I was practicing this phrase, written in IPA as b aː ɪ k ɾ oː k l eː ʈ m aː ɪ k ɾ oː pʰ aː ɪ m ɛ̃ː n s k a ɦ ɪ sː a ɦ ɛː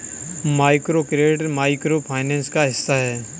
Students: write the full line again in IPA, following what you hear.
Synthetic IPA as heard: m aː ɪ k ɾ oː k ɾ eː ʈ m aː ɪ k ɾ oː pʰ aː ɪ n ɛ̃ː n s k a ɦ ɪ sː a ɦ ɛː